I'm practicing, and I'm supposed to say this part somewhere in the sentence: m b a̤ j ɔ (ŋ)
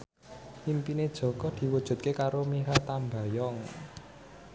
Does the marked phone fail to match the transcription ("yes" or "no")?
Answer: no